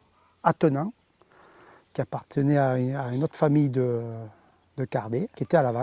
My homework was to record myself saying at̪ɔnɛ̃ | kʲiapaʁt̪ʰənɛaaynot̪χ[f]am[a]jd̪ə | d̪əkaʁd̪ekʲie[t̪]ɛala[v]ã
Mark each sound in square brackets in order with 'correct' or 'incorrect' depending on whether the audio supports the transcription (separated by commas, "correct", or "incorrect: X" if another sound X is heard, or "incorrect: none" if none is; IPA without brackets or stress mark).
correct, incorrect: i, correct, correct